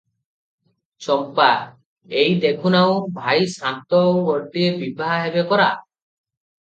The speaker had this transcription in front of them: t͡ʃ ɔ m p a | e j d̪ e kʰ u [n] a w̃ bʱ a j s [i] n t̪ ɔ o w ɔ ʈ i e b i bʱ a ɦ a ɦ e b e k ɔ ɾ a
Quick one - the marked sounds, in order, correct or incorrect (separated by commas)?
correct, incorrect